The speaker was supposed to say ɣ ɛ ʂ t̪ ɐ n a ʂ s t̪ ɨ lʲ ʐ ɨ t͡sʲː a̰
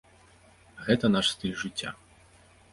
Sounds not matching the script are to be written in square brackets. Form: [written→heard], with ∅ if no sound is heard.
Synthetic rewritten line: ɣ ɛ [ʂ→∅] t̪ ɐ n a ʂ s t̪ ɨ lʲ ʐ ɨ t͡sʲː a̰

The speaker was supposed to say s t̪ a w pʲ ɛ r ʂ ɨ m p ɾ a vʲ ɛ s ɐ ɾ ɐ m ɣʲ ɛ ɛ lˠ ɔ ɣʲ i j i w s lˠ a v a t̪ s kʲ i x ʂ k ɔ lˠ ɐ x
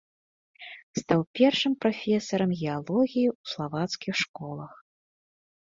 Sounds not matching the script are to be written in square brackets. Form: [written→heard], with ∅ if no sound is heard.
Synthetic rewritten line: s t̪ a w pʲ ɛ r ʂ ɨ m p ɾ a [vʲ→fʲ] ɛ s ɐ ɾ ɐ m ɣʲ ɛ [ɛ→a] lˠ ɔ ɣʲ i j i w s lˠ a v a t̪ s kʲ i x ʂ k ɔ lˠ ɐ x

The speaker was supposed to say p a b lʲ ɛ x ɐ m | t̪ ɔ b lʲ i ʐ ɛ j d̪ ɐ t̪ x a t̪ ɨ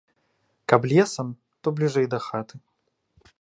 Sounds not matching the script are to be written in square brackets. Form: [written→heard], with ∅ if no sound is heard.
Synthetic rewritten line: [p→k] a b lʲ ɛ [x→s] ɐ m | t̪ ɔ b lʲ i ʐ ɛ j d̪ ɐ [t̪→∅] x a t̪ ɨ

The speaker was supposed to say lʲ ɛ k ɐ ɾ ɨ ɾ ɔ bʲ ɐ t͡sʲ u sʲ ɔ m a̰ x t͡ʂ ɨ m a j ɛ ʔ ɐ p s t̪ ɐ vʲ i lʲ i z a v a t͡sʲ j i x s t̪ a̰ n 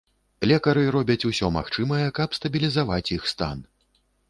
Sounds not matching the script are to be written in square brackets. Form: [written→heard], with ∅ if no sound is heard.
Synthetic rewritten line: lʲ ɛ k ɐ ɾ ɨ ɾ ɔ bʲ ɐ t͡sʲ u sʲ ɔ m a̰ x t͡ʂ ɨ m [a→ɐ] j ɛ [ʔ→k] ɐ p s t̪ ɐ [vʲ→bʲ] i lʲ i z a v a t͡sʲ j i x s t̪ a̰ n

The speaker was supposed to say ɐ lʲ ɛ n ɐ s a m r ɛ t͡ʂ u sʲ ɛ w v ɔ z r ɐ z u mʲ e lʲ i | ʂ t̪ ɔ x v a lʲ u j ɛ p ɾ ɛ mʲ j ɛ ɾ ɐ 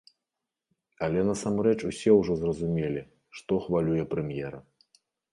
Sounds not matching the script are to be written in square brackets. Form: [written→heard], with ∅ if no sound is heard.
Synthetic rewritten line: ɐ lʲ ɛ n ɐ s a m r ɛ t͡ʂ u sʲ ɛ w [v→ʐ] ɔ z r ɐ z u mʲ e lʲ i | ʂ t̪ ɔ x v a lʲ u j ɛ p ɾ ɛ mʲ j ɛ ɾ ɐ

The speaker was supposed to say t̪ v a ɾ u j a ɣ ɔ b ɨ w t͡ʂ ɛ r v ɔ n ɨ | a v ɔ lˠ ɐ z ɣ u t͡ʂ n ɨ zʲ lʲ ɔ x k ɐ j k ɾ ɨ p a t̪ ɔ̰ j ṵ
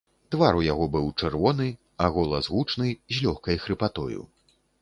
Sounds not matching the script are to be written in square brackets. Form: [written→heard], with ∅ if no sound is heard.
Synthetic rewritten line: t̪ v a ɾ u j a ɣ ɔ b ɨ w t͡ʂ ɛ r v ɔ n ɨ | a [v→ɣ] ɔ lˠ ɐ z ɣ u t͡ʂ n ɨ zʲ lʲ ɔ x k ɐ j [k→x] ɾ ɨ p a t̪ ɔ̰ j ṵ

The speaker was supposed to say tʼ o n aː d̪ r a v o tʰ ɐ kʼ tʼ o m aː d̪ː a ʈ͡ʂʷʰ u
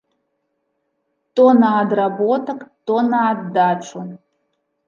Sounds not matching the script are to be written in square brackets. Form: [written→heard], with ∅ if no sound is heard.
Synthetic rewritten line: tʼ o n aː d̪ r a [v→b] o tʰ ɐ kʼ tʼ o [m→n] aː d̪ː a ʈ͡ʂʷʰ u

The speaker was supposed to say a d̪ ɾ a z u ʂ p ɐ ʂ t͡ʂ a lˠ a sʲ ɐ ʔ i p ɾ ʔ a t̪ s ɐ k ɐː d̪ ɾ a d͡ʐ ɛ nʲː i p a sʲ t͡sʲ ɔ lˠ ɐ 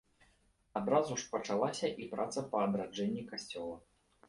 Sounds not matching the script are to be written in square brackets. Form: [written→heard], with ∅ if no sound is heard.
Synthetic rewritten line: a d̪ ɾ a z u ʂ p ɐ [ʂ→∅] t͡ʂ a lˠ a sʲ ɐ ʔ i p ɾ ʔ a t̪ s ɐ [k→p] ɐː d̪ ɾ a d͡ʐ ɛ nʲː i [p→k] a sʲ t͡sʲ ɔ lˠ ɐ

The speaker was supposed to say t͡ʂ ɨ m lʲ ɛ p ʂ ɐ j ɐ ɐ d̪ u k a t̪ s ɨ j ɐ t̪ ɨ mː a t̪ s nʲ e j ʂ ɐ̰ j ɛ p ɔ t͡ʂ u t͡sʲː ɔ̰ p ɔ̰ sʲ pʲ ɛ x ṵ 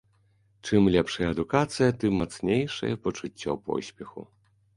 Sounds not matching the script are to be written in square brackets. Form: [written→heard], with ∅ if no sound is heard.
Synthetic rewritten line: t͡ʂ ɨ m lʲ ɛ p ʂ ɐ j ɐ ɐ d̪ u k a t̪ s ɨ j ɐ t̪ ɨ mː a t̪ s nʲ e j ʂ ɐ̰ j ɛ p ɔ t͡ʂ u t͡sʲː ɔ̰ p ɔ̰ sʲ pʲ ɛ x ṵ

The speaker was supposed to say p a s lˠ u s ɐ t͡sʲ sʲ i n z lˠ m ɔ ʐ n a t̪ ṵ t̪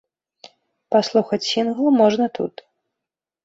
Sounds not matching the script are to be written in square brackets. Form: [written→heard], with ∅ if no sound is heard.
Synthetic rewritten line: p a s lˠ u [s→x] ɐ t͡sʲ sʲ i n [z→ɣ] lˠ m ɔ ʐ n [a→ɐ] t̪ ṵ t̪

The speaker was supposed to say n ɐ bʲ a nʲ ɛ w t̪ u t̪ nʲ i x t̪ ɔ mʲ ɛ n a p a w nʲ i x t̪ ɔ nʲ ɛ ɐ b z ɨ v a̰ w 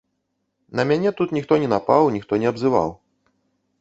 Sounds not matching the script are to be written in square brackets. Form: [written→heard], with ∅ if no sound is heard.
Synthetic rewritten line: n ɐ [bʲ→mʲ] a nʲ ɛ [w→∅] t̪ u t̪ nʲ i x t̪ ɔ [mʲ→nʲ] ɛ n a p a w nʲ i x t̪ ɔ nʲ ɛ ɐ b z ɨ v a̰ w

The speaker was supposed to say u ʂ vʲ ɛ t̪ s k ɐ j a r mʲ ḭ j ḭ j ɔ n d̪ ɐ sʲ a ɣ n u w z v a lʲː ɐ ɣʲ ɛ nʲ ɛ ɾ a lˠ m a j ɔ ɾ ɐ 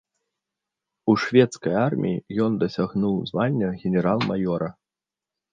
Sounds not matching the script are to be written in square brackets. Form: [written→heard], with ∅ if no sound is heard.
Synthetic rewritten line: u ʂ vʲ ɛ t̪ s k ɐ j a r mʲ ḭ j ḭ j ɔ n d̪ ɐ sʲ a ɣ n u w z v a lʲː ɐ ɣʲ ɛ nʲ ɛ ɾ a lˠ m a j ɔ ɾ ɐ

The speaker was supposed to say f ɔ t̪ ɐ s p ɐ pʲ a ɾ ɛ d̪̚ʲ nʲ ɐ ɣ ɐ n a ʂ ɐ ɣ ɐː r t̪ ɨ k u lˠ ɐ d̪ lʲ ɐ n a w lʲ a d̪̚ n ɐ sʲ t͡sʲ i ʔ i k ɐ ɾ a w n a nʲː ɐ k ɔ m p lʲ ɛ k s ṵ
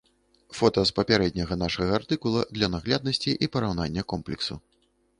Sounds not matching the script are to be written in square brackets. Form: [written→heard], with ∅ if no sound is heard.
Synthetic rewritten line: f ɔ t̪ ɐ s p ɐ pʲ a ɾ ɛ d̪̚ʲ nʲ ɐ ɣ ɐ n a ʂ ɐ ɣ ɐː r t̪ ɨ k u lˠ ɐ d̪ lʲ ɐ n a [w→ɣ] lʲ a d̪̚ n ɐ sʲ t͡sʲ i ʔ i [k→p] ɐ ɾ a w n a nʲː ɐ k ɔ m p lʲ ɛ k s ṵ

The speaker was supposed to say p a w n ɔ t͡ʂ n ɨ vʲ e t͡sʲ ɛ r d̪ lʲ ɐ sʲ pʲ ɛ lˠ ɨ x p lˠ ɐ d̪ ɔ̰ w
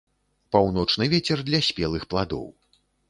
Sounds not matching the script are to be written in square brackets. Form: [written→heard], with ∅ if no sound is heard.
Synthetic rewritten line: p a w n ɔ t͡ʂ n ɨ vʲ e t͡sʲ ɛ r d̪ lʲ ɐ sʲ pʲ ɛ lˠ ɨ x p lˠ [ɐ→a] d̪ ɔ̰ w

